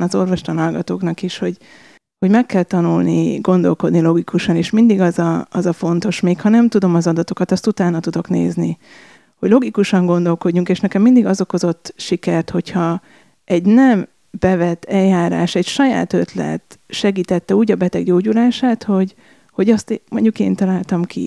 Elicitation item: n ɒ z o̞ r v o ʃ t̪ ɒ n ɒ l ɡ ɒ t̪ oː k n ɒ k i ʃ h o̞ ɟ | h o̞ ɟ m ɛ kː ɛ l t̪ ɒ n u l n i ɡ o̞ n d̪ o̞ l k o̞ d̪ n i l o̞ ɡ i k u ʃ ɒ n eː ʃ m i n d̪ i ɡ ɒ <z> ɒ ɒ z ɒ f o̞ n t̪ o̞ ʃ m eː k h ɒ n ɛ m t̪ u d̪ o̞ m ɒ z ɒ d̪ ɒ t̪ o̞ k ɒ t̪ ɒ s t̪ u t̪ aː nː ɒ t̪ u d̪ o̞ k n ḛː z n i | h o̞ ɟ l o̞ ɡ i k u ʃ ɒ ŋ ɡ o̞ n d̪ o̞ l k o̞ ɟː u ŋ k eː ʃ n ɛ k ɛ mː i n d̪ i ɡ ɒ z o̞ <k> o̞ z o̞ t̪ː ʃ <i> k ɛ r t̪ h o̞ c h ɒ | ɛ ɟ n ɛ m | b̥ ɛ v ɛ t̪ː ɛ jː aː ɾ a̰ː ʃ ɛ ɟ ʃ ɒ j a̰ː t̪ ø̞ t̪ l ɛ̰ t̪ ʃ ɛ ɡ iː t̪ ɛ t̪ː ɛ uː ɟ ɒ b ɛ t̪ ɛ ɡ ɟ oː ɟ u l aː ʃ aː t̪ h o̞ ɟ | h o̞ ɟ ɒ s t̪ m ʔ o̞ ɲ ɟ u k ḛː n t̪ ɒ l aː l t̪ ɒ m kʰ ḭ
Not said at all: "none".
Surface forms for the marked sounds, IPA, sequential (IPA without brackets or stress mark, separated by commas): z, k, i